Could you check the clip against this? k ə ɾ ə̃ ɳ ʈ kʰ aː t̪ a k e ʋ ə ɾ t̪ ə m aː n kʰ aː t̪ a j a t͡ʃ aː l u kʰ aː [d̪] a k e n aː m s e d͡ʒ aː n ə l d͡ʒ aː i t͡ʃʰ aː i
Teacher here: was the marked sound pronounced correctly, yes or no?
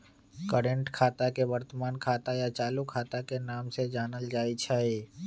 no